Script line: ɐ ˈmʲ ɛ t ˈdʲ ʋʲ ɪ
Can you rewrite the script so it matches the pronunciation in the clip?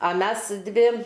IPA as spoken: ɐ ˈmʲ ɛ s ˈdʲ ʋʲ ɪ